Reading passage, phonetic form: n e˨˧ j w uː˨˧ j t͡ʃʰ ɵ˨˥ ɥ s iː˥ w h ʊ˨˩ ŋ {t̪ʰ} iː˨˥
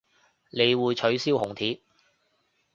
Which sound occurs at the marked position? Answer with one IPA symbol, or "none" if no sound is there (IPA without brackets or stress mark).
t̪ʰ